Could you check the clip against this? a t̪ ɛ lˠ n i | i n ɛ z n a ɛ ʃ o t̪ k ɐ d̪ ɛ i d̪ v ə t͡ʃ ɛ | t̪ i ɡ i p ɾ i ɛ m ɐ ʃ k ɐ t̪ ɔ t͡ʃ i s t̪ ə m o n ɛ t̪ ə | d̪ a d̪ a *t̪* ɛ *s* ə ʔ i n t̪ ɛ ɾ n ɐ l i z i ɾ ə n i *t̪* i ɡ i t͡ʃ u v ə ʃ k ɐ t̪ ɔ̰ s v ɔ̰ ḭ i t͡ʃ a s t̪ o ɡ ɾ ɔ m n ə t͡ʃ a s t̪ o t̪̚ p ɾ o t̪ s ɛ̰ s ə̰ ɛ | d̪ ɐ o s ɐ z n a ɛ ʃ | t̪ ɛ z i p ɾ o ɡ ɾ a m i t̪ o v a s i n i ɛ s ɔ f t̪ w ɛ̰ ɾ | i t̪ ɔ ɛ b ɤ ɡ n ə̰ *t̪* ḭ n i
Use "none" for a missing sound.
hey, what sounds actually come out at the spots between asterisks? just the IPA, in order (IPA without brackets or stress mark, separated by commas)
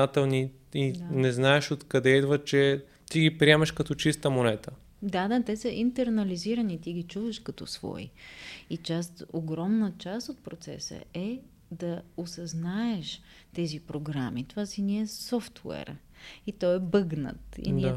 t̪, s, t̪, t̪